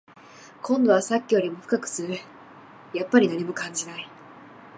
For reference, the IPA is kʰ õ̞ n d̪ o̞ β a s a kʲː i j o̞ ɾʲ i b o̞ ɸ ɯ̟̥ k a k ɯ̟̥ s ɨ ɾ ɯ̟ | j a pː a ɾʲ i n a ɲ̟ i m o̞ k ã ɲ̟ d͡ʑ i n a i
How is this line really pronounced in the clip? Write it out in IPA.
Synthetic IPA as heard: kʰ õ̞ n d̪ o̞ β a s a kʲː i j o̞ ɾʲ i m o̞ ɸ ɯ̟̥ k a k ɯ̟̥ s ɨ ɾ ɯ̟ | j a pː a ɾʲ i n a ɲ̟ i m o̞ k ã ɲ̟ d͡ʑ i n a i